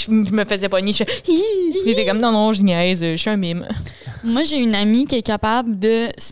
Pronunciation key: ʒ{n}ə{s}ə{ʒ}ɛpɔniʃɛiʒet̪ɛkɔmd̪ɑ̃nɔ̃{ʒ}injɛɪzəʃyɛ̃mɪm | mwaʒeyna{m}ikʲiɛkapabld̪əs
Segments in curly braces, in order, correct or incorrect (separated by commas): incorrect, incorrect, incorrect, correct, correct